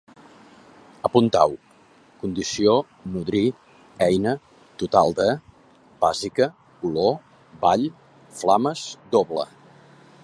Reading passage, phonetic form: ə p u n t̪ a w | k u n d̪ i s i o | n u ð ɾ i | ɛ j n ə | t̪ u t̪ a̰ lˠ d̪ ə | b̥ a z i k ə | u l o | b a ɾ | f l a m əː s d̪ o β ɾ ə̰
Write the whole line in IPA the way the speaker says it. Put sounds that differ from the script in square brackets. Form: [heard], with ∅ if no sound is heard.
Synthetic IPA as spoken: ə p u n t̪ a w | k u n d̪ i s i o | n u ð ɾ i | ɛ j n ə | t̪ u t̪ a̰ lˠ d̪ ə | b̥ a z i k ə | u l o | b a [ʎ] | f l a m [ə] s d̪ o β [l] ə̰